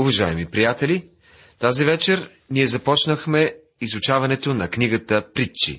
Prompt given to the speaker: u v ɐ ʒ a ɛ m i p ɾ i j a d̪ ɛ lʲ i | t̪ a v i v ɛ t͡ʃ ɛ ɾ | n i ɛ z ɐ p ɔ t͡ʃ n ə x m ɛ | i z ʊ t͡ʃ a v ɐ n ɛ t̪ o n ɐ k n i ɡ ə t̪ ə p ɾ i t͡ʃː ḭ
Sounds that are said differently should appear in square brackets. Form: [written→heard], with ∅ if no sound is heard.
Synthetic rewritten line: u v ɐ ʒ a ɛ m i p ɾ i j a [d̪→t̪] ɛ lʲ i | t̪ a [v→z] i v ɛ t͡ʃ ɛ ɾ | n i ɛ z ɐ p ɔ t͡ʃ n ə x m ɛ | i z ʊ t͡ʃ a v ɐ n ɛ t̪ o n ɐ k n i ɡ ə t̪ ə p ɾ i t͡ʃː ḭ